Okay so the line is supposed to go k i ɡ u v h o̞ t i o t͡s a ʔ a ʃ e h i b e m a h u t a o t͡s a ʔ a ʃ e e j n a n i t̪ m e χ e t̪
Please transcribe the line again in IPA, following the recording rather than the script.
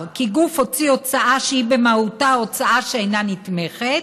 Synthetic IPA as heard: k i ɡ u f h o̞ t͡s i o t͡s a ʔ a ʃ e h i b e m a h u t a o t͡s a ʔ a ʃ e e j n a n i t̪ m e χ e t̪